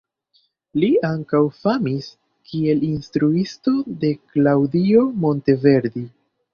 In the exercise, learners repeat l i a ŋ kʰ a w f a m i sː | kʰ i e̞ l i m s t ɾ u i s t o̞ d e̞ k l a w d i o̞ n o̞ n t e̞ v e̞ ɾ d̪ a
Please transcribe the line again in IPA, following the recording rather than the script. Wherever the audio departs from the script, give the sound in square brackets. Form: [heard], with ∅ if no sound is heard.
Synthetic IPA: l i a ŋ [k] a w f a m i [s] | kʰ i e̞ l i [n] s t ɾ u i s t o̞ d e̞ k l a w d i o̞ [m] o̞ n t e̞ v e̞ ɾ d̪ [i]